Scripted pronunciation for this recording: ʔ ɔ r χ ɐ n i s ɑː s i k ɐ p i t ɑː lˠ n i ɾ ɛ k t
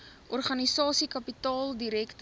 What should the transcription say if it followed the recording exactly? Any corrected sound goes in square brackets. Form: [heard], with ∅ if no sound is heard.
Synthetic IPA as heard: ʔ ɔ r χ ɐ n i s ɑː s i k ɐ p i t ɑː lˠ [d] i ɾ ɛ k t